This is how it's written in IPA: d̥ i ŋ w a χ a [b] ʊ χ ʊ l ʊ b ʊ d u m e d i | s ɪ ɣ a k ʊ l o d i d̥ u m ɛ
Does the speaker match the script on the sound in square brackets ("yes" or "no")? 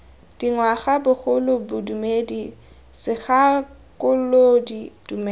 yes